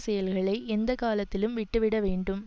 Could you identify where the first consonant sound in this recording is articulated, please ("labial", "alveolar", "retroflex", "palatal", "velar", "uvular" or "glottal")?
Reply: alveolar